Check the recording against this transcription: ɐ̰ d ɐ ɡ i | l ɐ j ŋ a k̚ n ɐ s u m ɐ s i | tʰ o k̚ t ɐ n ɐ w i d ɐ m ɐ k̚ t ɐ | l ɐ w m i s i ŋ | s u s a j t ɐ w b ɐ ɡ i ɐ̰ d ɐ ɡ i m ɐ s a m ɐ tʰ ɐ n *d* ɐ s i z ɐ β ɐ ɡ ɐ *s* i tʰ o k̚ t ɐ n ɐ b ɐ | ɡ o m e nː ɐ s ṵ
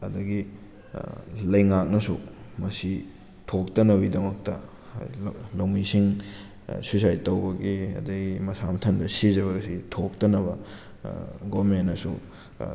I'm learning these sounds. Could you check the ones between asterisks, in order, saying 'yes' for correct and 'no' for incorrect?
yes, yes

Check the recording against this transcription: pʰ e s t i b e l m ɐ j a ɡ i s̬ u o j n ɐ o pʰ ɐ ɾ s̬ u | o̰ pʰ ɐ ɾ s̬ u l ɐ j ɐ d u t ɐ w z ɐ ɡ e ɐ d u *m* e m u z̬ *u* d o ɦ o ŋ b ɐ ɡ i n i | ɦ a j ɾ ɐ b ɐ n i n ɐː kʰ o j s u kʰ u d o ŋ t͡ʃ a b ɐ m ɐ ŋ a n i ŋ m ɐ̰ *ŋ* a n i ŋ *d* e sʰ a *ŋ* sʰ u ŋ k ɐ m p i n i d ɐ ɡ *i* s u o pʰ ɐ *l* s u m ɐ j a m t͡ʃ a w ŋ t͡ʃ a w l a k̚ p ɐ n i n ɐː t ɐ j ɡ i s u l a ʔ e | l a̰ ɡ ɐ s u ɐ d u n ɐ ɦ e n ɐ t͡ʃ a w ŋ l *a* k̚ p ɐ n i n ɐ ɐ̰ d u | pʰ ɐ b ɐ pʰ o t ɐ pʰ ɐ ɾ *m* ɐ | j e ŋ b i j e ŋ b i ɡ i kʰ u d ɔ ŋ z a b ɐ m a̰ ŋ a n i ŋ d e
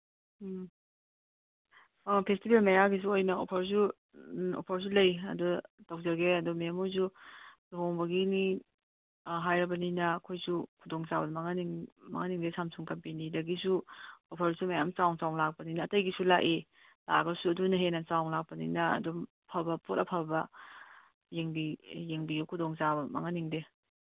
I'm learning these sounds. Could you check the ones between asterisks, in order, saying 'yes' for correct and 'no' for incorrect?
yes, yes, yes, yes, no, yes, no, yes, no

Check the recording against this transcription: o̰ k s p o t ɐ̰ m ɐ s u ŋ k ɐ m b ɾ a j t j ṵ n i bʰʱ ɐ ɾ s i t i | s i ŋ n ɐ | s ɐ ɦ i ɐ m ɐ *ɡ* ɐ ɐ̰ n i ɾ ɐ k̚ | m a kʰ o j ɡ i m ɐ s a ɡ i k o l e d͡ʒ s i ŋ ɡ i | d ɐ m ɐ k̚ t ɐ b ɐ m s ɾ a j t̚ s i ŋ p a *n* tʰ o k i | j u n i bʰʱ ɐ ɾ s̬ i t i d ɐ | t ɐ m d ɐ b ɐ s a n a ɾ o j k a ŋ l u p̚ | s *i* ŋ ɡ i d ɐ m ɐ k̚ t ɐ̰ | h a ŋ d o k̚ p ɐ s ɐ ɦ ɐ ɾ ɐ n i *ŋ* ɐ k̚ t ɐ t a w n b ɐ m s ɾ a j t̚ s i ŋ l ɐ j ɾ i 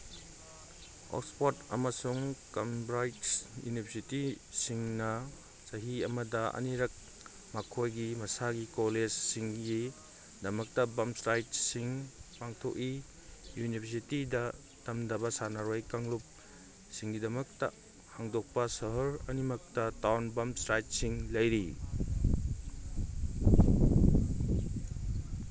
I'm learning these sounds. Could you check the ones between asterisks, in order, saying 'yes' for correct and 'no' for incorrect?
no, no, yes, no

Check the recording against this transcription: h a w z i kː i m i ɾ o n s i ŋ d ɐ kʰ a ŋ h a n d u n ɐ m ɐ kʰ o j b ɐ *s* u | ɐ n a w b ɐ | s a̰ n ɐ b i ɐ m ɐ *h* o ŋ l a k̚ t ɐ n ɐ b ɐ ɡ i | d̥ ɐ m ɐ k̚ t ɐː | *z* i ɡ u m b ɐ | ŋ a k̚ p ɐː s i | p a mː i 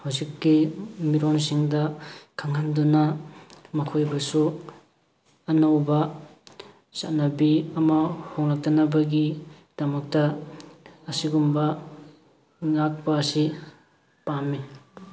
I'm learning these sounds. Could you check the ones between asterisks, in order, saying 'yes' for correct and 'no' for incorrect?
yes, yes, no

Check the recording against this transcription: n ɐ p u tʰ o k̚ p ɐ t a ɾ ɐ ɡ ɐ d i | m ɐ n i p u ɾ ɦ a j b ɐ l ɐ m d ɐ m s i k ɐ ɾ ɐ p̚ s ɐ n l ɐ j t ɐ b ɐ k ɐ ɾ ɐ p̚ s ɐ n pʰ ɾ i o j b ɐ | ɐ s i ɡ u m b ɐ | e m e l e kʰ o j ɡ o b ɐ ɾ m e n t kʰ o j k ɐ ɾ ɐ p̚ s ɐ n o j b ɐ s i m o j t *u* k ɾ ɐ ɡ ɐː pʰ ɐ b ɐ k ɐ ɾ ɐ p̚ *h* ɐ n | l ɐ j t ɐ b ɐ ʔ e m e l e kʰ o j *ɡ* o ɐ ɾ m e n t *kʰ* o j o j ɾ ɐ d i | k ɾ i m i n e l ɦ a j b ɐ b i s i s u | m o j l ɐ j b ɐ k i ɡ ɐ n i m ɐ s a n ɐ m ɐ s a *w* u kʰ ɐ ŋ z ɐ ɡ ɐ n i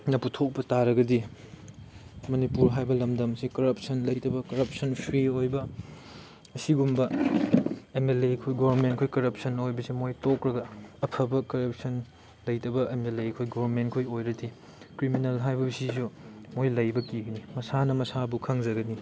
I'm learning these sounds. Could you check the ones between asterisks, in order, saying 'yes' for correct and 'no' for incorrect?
no, no, yes, yes, no

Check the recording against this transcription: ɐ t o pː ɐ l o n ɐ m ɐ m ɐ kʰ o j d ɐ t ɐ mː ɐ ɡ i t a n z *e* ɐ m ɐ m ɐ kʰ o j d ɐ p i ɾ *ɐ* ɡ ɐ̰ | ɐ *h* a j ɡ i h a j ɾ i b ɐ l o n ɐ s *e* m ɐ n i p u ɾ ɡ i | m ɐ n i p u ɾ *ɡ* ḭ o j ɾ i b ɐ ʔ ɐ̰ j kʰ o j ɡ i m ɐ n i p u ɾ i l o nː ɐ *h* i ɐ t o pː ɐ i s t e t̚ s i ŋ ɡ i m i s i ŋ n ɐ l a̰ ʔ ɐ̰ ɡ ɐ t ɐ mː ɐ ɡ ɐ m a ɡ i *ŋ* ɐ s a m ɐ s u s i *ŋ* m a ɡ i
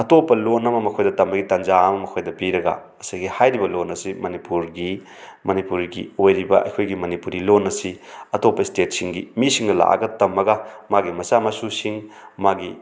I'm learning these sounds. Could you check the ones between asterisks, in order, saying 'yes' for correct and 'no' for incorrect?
no, yes, no, no, yes, no, no, yes

